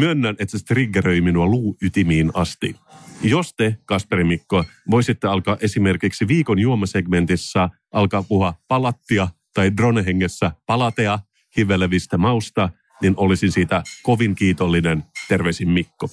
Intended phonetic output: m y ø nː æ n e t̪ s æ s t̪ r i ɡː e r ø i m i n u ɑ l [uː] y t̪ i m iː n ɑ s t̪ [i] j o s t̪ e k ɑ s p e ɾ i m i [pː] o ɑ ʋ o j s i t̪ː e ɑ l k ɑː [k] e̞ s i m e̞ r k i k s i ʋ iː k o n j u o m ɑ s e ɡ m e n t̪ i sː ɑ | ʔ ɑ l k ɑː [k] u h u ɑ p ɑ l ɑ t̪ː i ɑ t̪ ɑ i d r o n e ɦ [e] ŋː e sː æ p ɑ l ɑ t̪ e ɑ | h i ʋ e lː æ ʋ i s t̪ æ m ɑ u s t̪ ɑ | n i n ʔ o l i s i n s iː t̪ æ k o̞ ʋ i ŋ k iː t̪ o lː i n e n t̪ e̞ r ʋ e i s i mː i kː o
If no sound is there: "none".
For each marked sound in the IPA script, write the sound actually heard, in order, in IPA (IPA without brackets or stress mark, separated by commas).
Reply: uː, i, kː, ʔ, p, e